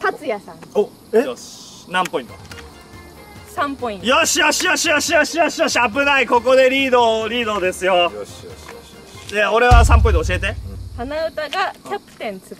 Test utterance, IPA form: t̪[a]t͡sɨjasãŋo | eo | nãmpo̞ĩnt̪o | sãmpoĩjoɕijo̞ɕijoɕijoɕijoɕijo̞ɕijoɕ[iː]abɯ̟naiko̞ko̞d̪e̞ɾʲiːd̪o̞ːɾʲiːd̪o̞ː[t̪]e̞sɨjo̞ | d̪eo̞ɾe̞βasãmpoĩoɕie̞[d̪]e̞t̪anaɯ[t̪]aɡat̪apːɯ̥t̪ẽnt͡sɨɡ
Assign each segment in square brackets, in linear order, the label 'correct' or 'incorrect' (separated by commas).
correct, incorrect, incorrect, incorrect, correct